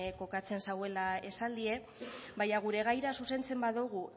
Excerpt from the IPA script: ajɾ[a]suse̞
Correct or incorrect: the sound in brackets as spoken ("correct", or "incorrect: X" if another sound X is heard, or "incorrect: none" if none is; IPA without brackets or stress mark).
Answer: correct